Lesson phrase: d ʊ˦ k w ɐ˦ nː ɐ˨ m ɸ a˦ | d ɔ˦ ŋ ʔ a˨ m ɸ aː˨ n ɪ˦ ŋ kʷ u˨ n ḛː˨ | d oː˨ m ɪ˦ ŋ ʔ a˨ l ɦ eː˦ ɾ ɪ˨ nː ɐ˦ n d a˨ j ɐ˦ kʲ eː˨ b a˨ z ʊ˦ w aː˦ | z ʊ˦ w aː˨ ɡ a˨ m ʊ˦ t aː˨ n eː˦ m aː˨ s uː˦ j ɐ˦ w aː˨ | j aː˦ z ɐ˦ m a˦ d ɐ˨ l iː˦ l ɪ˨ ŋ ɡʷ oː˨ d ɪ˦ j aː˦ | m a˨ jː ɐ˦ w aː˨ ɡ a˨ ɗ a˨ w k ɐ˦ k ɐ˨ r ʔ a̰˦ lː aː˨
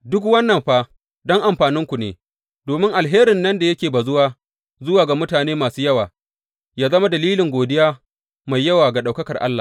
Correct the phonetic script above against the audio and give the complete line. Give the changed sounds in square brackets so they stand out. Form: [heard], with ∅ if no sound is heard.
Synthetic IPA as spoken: d ʊ˦ k w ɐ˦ nː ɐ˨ m ɸ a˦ | d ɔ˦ ŋ ʔ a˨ m ɸ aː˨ n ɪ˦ ŋ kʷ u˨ n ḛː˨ | d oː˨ m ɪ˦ ŋ ʔ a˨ l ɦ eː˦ ɾ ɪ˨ nː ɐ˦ n d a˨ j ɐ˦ kʲ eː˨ b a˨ z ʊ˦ w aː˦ | z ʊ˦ w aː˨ ɡ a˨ m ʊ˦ t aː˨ n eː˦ m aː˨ s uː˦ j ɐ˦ w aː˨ | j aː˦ z ɐ˦ m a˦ d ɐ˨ l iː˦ l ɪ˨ ŋ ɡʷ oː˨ d ɪ˦ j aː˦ | m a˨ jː ɐ˦ w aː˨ ɡ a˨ ɗ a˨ w k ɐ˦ k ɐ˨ r ʔ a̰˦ lː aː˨